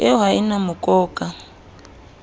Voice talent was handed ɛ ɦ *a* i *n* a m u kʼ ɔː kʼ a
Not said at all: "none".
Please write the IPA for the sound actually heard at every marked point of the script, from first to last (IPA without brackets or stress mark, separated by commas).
a, n